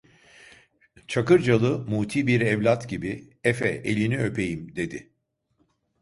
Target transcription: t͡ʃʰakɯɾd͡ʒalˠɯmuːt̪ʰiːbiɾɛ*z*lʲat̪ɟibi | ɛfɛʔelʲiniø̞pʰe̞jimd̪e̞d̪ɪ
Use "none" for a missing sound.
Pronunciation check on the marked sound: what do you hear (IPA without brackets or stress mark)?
v